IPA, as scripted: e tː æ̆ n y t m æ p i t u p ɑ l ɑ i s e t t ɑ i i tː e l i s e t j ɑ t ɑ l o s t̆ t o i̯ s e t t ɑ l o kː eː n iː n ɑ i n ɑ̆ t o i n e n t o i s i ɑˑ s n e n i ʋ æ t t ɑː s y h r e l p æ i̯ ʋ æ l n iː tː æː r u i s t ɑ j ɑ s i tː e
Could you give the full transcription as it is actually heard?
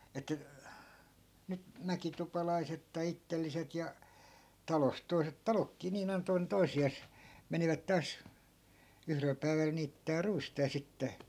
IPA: e tː æ̆ n y t m æ k i t u p ɑ l ɑ i s e t t ɑ i i tː e lː i s e t j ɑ t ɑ l o s t̆ t o i̯ s e t t ɑ l o kː iː n iː n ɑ i n ɑ̆ t o i n e n t o i s i ɑˑ s m e n i ʋ æ t t ɑː s y h r e l p æ i̯ ʋ æ l n iː tː æː r u i s t ɑ j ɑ s i tː e